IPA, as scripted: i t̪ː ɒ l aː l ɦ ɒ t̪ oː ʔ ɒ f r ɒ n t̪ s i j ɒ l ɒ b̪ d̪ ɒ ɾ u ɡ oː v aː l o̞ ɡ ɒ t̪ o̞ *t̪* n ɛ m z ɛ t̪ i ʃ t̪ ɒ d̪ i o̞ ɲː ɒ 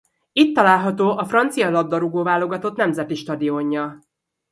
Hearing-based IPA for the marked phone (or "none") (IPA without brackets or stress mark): t̪